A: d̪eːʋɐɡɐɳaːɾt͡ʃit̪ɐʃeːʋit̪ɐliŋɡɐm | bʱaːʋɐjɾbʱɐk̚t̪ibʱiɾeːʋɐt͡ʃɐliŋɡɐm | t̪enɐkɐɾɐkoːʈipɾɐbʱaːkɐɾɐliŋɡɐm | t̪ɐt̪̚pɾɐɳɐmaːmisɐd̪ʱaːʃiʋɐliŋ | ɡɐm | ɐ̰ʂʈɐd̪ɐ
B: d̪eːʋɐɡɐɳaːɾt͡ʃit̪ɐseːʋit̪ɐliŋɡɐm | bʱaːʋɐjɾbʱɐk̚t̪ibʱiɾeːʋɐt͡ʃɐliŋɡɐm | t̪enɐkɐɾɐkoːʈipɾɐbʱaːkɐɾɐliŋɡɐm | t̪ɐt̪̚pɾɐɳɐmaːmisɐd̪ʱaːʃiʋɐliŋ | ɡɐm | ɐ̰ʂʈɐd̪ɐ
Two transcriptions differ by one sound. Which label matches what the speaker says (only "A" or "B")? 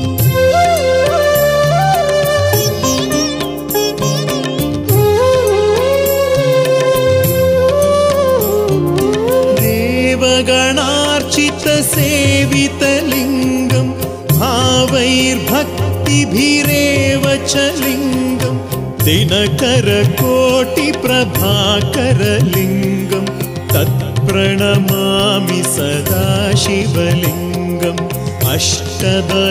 B